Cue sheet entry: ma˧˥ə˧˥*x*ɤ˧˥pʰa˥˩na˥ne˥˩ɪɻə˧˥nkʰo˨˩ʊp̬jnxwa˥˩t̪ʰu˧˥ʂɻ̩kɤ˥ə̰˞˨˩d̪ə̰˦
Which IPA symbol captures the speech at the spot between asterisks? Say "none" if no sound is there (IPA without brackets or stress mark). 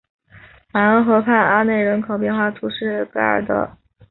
x